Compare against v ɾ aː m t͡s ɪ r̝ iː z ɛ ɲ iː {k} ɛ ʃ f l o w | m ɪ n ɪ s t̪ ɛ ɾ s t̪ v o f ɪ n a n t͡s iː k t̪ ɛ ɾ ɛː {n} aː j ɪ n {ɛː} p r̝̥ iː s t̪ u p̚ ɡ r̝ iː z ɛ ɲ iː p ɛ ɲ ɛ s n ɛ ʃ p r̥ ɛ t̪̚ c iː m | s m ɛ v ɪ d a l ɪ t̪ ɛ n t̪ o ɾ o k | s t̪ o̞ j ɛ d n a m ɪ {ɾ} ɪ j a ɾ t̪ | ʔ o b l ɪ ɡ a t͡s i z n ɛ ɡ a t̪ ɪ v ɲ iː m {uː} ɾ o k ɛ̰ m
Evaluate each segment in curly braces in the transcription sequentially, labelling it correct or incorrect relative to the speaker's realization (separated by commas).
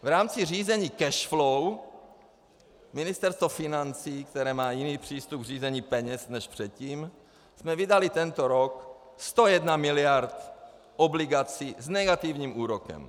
correct, incorrect, incorrect, incorrect, correct